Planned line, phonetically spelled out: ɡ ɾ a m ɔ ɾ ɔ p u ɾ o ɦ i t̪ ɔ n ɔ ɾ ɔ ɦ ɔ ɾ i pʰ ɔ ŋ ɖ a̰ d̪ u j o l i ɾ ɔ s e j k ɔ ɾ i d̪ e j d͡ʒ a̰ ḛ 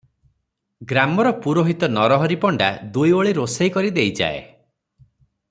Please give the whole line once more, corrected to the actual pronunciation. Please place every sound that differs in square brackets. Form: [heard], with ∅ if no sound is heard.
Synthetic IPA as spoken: ɡ ɾ a m ɔ ɾ ɔ p u ɾ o ɦ i t̪ ɔ n ɔ ɾ ɔ ɦ ɔ ɾ i [p] ɔ [ɳ] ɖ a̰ d̪ u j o [ɭ] i ɾ [o] s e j k ɔ ɾ i d̪ e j d͡ʒ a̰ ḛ